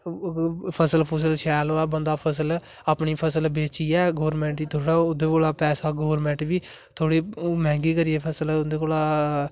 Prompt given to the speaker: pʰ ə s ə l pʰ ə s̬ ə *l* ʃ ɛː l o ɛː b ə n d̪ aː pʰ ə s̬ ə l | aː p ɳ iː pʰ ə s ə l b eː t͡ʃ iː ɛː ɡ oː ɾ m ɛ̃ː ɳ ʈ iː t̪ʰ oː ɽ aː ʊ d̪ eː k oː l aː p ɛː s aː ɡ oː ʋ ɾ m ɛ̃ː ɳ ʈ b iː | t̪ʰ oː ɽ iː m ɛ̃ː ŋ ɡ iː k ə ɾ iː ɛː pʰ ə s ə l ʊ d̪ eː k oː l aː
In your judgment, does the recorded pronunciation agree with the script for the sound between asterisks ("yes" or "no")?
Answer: yes